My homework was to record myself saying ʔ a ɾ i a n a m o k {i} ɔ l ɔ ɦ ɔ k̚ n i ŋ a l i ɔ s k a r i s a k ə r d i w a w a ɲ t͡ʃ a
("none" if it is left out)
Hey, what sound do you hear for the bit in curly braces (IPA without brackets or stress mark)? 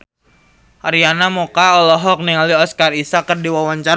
a